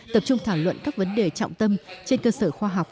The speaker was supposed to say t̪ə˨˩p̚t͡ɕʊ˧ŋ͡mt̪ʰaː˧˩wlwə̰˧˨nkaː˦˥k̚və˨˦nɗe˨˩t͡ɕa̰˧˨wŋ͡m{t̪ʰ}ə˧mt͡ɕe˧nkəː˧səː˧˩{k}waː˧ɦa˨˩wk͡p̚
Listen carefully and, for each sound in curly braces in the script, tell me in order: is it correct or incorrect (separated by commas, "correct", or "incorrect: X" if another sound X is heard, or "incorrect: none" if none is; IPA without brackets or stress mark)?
incorrect: t̪, incorrect: x